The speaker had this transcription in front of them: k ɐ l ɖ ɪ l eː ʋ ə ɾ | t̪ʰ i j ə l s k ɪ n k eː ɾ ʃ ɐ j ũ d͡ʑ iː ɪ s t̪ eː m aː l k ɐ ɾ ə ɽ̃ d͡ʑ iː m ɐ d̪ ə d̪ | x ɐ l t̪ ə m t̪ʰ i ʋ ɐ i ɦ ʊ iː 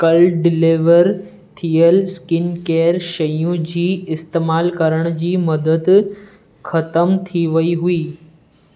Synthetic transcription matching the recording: k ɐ l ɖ ɪ l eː ʋ ə ɾ | t̪ʰ i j ə l s k ɪ n k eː ɾ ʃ ɐ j ũ d͡ʑ iː ɪ s t̪ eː m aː l k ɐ ɾ ə ɽ̃ d͡ʑ iː m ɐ d̪ ə d̪ | x ɐ t̪ ə m t̪ʰ i ʋ ɐ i ɦ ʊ iː